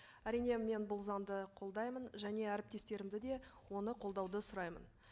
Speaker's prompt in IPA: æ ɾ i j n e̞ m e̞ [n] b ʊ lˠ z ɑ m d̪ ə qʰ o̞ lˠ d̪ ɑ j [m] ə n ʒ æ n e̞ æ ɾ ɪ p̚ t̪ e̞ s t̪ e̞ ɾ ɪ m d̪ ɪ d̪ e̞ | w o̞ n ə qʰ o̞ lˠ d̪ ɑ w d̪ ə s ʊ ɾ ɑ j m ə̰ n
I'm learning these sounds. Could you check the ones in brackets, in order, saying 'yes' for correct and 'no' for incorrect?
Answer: yes, yes

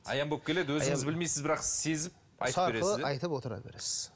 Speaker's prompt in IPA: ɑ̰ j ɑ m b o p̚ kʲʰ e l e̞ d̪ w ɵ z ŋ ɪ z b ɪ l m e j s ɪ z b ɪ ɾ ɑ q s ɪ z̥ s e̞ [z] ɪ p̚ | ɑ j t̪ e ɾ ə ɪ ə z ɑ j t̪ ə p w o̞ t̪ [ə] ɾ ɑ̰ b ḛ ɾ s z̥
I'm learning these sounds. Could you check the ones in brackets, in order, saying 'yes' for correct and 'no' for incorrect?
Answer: yes, yes

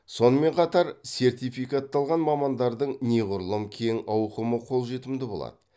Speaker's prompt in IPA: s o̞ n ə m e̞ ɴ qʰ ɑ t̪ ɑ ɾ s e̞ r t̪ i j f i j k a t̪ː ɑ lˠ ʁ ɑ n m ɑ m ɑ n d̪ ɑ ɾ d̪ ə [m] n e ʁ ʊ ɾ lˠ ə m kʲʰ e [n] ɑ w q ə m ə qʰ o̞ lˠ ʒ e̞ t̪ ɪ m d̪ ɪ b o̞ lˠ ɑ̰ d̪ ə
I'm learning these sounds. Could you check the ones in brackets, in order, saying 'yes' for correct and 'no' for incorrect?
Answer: no, no

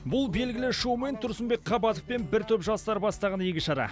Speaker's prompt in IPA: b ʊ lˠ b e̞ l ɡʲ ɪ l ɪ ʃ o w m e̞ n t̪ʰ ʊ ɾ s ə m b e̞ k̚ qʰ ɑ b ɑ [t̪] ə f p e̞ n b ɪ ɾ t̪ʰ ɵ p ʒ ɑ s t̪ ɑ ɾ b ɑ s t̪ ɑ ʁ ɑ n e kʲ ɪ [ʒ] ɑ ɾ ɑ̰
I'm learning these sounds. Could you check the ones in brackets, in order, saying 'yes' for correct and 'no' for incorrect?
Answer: yes, no

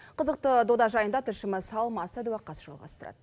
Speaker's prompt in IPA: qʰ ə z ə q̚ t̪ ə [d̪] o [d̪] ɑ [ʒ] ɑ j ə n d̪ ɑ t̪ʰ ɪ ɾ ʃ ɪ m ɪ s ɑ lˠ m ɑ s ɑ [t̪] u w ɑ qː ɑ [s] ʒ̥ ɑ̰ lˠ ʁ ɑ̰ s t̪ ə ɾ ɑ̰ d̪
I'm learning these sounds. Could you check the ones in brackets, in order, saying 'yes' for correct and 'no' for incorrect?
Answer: yes, yes, yes, no, yes

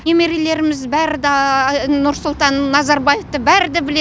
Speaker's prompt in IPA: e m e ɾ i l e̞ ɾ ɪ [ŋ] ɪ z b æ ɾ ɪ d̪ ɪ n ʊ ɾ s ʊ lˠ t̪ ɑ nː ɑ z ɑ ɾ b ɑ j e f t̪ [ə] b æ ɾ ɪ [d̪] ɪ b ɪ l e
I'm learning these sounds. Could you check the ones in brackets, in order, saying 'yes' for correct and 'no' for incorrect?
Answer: no, yes, yes

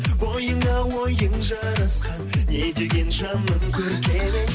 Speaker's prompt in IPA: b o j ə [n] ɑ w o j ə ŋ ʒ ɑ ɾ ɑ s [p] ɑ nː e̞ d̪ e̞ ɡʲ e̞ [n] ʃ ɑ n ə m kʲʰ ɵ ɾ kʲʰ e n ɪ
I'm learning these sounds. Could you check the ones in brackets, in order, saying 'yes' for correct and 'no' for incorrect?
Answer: no, no, yes

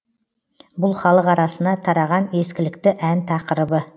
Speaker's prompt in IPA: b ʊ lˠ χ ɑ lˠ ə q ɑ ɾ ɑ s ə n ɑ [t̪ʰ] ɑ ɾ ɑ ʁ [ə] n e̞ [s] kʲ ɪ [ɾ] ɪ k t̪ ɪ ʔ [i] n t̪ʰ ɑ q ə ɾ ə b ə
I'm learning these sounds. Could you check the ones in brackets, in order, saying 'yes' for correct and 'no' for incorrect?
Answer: yes, no, yes, no, no

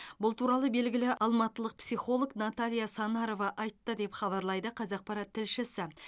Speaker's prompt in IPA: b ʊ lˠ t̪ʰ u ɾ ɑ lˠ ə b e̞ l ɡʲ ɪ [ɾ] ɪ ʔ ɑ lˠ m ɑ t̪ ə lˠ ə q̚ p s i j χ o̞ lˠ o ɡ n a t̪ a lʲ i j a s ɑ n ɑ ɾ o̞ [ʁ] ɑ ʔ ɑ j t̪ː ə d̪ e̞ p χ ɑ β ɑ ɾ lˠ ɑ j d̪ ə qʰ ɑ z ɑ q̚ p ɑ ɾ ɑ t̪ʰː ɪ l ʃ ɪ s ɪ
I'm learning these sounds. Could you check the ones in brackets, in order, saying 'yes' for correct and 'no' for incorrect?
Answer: no, no

